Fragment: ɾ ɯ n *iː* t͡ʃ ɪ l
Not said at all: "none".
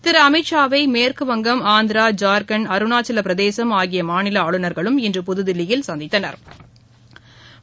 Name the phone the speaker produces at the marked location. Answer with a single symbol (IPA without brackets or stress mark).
aː